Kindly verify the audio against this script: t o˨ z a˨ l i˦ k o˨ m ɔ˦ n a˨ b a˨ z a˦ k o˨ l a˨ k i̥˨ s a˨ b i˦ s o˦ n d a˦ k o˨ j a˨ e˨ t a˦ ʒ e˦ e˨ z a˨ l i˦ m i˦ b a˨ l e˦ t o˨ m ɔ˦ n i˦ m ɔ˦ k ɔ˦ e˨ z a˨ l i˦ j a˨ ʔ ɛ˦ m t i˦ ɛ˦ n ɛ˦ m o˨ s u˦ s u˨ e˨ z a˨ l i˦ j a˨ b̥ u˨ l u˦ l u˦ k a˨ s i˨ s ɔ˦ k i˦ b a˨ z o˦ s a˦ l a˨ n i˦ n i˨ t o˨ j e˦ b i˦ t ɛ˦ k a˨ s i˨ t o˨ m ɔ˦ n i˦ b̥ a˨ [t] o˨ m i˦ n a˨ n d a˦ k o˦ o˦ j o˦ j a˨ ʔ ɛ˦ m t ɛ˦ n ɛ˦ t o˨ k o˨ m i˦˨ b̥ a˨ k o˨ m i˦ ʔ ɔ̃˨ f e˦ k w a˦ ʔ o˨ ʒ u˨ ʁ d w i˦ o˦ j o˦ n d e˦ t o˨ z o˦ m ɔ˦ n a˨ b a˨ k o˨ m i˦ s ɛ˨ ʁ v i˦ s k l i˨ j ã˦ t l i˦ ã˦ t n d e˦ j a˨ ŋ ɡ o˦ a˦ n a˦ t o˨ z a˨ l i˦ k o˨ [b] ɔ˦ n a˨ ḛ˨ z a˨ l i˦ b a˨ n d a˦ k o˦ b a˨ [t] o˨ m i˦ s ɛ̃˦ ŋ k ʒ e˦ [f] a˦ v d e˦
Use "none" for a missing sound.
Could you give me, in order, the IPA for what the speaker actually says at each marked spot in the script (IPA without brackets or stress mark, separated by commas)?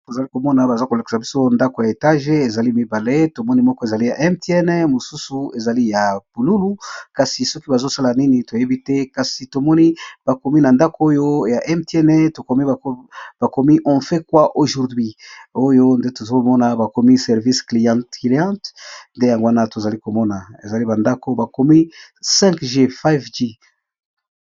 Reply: k, m, k, f